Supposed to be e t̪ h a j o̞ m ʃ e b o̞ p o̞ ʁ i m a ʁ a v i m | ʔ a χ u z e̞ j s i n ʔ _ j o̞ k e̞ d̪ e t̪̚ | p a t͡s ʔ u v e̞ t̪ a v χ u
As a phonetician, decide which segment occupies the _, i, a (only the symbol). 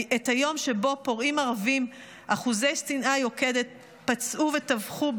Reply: a